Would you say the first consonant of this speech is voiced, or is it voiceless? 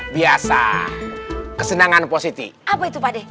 voiced